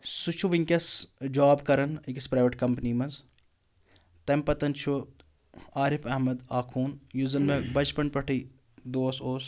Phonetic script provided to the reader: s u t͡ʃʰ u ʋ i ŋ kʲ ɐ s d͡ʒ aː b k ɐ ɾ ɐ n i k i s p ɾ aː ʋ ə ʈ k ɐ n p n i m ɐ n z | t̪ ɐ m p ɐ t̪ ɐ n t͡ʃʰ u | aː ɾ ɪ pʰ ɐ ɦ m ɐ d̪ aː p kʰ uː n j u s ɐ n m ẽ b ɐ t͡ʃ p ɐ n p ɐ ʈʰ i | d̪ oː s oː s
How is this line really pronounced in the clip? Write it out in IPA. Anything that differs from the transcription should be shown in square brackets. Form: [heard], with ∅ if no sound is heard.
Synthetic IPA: s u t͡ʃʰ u ʋ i ŋ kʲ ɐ s d͡ʒ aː b k ɐ ɾ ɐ n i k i s p ɾ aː ʋ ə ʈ k ɐ [m] p n i m ɐ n z | t̪ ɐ m p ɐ t̪ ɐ n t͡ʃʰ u | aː ɾ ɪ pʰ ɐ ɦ m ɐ d̪ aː [∅] kʰ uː n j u [z] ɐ n m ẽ b ɐ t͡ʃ p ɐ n p ɐ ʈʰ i | d̪ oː s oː s